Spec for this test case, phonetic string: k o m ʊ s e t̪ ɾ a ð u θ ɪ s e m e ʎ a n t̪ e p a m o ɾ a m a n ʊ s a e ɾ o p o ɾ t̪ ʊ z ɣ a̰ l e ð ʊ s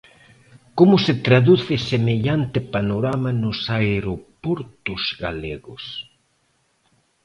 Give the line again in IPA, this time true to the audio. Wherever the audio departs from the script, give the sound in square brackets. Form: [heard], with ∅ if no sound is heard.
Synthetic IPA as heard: k o m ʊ s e t̪ ɾ a ð u θ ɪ s e m e ʎ a n t̪ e p a [n] o ɾ a m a n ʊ s a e ɾ o p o ɾ t̪ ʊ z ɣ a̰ l e [ɣ] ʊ s